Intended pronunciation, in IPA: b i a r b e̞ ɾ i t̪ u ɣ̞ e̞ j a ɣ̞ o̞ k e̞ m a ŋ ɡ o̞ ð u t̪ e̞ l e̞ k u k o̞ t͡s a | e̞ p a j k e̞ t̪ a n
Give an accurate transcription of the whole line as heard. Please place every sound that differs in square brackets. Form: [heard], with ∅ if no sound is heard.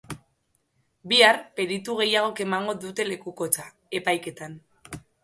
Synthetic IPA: b i a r [p] e̞ ɾ i t̪ u ɣ̞ e̞ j a ɣ̞ o̞ k e̞ m a ŋ ɡ o̞ ð u t̪ e̞ l e̞ k u k o̞ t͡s a | e̞ p a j k e̞ t̪ a n